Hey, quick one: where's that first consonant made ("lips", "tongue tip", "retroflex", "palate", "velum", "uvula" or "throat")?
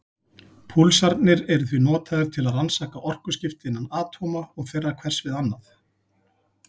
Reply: lips